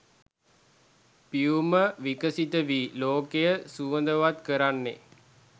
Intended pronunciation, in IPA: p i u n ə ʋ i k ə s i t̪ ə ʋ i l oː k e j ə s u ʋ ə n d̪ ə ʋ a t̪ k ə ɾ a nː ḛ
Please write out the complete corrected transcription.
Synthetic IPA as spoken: p i u m ə ʋ i k ə s i t̪ ə ʋ i l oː k e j ə s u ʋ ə n d̪ ə ʋ a t̪ k ə ɾ a nː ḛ